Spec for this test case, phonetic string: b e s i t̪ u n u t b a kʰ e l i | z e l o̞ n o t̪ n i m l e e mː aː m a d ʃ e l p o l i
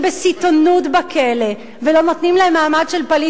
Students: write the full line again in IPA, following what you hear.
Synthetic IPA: b e s i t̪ o n u t b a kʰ e l e | v e l o̞ n o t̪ n i m l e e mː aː m a d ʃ e l p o l i